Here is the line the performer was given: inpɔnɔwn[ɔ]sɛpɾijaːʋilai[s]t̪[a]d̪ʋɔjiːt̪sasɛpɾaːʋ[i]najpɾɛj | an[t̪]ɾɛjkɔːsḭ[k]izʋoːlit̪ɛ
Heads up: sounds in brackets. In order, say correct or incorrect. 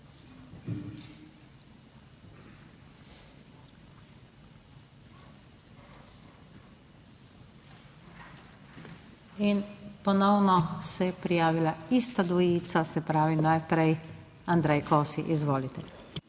correct, correct, correct, correct, incorrect: d̪, incorrect: ʔ

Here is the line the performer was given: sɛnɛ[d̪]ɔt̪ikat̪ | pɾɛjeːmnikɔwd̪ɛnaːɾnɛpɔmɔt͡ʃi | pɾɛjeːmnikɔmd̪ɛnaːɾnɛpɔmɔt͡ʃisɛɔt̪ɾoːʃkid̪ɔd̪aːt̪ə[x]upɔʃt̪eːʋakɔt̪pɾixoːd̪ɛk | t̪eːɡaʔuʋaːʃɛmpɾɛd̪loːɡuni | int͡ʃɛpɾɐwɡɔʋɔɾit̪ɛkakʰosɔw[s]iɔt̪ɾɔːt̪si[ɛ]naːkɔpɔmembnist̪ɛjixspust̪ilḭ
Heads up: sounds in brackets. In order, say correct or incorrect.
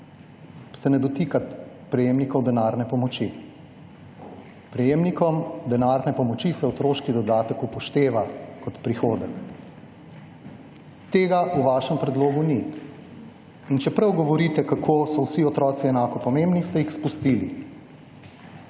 correct, incorrect: k, correct, correct

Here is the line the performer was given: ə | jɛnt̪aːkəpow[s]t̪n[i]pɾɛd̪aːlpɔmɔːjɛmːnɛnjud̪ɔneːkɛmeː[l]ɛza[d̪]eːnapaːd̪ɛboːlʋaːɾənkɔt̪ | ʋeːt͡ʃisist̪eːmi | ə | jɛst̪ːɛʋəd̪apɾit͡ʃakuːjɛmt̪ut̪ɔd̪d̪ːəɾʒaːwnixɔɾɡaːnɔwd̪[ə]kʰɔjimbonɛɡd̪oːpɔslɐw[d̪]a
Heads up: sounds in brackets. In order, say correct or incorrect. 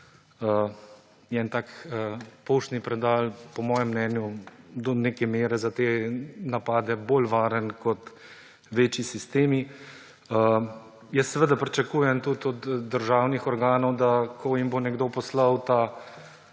incorrect: ʃ, correct, incorrect: ɾ, incorrect: t̪, incorrect: a, incorrect: t̪

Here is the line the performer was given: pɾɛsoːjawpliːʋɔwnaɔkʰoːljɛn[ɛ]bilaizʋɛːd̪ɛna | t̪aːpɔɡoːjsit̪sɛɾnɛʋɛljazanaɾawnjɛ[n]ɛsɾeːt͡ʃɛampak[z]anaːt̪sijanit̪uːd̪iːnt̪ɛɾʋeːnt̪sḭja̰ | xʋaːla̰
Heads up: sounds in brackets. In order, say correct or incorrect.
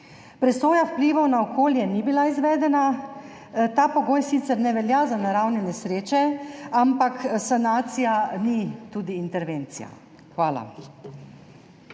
incorrect: i, correct, incorrect: s

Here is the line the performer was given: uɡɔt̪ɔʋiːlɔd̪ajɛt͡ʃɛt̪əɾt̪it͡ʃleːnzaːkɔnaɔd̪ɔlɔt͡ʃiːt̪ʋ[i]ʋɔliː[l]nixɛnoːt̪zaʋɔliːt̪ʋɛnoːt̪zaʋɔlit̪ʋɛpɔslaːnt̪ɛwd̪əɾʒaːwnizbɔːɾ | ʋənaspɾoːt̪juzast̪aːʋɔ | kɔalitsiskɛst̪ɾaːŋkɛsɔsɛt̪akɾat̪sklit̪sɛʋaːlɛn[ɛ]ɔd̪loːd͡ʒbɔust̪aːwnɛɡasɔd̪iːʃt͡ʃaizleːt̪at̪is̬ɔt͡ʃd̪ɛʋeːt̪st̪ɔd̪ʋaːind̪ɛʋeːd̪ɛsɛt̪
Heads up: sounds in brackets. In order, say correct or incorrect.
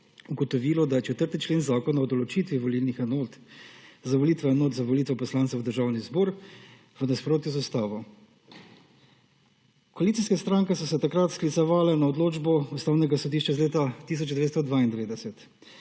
correct, correct, incorrect: a

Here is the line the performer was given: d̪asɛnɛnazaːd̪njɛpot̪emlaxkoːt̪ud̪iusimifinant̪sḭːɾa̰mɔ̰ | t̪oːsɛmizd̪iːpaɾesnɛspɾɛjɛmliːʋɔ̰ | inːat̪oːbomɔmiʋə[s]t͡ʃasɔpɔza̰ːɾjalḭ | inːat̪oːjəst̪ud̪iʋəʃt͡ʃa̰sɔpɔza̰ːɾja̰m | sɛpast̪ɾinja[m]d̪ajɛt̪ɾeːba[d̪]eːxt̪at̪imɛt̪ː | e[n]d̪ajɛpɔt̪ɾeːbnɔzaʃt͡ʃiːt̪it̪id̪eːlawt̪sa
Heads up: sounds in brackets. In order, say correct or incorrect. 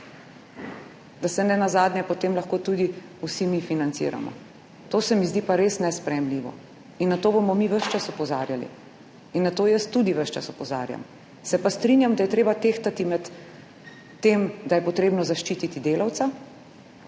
incorrect: ʃ, correct, incorrect: t̪, incorrect: m

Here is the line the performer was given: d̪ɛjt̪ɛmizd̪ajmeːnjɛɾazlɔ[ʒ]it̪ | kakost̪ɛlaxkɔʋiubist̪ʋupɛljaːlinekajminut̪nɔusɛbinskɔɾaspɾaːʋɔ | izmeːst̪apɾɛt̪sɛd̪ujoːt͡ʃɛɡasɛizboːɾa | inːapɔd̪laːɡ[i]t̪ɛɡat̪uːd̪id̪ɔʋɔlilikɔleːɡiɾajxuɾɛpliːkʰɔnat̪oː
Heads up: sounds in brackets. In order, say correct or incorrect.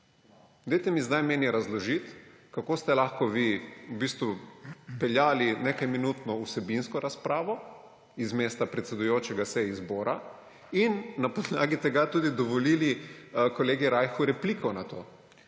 correct, correct

